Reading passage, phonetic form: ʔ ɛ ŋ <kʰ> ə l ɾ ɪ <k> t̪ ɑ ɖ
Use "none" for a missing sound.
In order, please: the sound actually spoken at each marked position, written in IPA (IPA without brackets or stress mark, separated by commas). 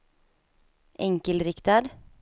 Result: k, k